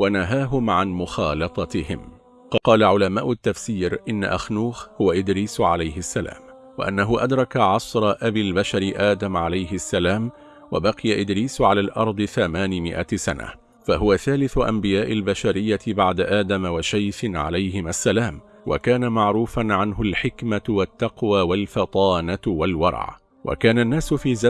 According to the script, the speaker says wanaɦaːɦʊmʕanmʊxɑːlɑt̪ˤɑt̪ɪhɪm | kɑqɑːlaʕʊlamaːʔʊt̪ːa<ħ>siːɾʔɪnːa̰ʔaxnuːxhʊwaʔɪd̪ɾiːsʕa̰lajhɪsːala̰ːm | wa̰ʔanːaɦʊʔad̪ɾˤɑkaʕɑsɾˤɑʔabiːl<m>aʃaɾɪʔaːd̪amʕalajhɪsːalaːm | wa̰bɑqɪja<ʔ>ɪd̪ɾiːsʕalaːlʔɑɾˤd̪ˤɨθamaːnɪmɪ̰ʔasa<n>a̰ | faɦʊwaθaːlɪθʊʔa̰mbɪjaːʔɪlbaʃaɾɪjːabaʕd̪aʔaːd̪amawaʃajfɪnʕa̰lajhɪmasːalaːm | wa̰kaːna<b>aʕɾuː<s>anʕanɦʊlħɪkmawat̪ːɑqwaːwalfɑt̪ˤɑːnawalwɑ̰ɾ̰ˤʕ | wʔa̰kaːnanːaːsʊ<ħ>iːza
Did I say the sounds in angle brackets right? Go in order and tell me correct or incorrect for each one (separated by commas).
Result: incorrect, incorrect, correct, correct, incorrect, incorrect, incorrect